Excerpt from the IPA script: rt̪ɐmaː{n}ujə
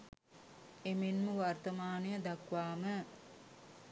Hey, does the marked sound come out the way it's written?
yes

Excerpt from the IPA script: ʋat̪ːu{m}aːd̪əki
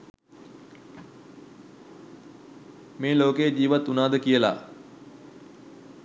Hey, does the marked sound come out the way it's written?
no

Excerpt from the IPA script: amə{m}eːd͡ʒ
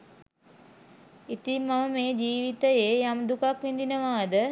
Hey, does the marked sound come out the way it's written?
yes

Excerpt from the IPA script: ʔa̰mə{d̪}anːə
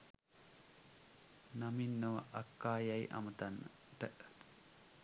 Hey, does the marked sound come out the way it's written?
no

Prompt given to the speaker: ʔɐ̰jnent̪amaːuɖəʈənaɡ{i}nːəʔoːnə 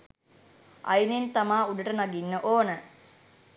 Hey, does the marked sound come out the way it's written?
yes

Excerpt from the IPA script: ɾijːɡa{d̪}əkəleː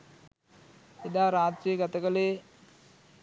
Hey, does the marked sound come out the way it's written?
no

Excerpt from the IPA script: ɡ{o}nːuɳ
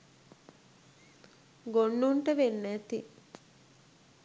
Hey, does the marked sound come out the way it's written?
yes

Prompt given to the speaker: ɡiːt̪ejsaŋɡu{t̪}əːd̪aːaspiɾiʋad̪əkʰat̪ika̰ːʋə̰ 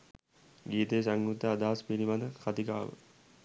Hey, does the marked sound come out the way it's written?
yes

